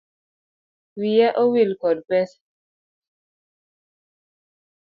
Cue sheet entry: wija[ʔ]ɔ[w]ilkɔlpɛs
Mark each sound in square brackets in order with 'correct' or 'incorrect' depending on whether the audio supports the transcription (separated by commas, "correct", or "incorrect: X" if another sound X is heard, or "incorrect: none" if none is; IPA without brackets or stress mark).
correct, correct